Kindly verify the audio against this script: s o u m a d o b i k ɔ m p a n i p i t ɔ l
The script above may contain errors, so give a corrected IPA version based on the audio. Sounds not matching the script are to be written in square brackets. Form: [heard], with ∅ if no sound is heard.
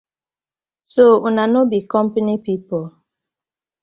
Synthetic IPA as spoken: s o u [n] a [n] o b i k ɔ m p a n i p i [p] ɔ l